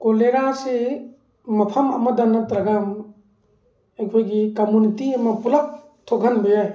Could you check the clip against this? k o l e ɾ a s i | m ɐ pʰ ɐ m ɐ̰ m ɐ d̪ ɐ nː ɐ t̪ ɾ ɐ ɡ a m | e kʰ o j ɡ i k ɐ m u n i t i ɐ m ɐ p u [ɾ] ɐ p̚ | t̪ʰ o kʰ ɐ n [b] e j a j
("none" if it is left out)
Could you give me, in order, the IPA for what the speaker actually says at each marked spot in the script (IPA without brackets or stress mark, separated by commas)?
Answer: l, b